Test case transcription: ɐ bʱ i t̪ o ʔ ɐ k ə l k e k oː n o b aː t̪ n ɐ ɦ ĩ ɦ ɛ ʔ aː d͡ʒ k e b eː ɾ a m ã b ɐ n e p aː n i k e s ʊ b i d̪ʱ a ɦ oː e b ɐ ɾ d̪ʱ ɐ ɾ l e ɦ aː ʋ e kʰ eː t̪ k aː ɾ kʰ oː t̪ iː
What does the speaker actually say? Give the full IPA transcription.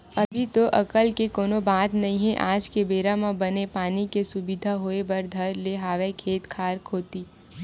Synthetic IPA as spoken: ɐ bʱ i t̪ o ʔ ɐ k ə l k e k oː n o b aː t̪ n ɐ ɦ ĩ ɦ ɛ ʔ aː d͡ʒ k e b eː ɾ a m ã b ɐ n e p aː n i k e s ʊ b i d̪ʱ a ɦ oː e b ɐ ɾ d̪ʱ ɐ ɾ l e ɦ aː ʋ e kʰ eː t̪ kʰ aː ɾ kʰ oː t̪ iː